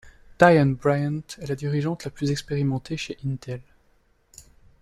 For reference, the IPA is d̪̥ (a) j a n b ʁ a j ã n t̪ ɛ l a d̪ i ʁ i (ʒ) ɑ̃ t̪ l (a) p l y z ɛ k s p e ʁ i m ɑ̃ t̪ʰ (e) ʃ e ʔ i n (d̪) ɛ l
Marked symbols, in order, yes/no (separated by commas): yes, yes, yes, yes, no